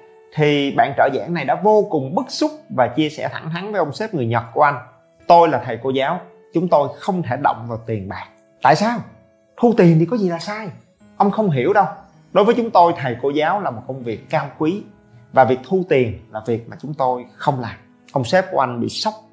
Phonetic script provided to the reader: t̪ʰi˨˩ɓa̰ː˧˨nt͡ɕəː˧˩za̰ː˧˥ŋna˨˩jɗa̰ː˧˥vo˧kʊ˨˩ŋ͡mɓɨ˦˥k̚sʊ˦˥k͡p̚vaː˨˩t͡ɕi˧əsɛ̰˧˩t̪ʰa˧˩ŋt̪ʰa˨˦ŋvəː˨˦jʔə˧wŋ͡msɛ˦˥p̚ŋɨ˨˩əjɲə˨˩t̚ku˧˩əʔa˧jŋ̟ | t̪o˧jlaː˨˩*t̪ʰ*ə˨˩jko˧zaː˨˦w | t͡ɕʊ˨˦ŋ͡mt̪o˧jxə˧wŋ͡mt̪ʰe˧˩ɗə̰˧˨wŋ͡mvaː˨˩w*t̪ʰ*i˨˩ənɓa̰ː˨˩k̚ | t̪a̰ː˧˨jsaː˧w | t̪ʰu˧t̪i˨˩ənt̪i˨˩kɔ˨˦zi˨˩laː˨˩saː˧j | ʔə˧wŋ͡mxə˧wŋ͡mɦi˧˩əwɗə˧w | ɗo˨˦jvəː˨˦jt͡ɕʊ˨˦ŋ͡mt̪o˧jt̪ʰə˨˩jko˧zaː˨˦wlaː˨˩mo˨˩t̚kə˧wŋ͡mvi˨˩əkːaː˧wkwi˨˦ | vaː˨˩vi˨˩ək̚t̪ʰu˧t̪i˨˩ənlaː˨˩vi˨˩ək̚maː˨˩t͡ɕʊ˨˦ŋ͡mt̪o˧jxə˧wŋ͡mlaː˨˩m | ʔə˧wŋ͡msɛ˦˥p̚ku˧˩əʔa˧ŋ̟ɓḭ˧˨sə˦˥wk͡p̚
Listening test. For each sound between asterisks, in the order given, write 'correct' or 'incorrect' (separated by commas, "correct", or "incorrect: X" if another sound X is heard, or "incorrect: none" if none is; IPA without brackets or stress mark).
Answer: correct, incorrect: t̪